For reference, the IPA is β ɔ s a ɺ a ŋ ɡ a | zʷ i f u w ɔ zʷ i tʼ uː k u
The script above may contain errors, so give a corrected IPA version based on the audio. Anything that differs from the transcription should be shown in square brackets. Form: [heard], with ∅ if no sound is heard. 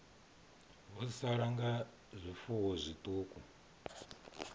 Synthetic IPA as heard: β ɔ s a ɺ a ŋ ɡ a | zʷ i f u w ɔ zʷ i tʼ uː k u